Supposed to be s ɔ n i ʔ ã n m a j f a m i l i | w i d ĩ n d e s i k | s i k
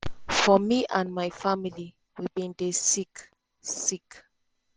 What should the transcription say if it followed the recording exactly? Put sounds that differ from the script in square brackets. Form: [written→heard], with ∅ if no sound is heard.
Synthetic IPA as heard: [s→f] ɔ [n→m] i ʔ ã n m a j f a m i l i | w i [d→b] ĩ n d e s i k | s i k